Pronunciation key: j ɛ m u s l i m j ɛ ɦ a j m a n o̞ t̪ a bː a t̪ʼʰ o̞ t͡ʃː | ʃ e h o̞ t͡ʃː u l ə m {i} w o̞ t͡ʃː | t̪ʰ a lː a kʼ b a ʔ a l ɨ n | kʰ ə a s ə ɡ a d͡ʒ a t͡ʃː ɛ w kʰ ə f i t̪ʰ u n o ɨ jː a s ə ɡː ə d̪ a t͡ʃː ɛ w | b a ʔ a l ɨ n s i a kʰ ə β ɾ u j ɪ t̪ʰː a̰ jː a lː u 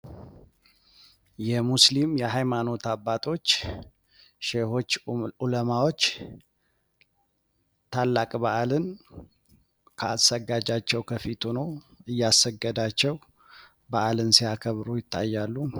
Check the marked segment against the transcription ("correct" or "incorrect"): incorrect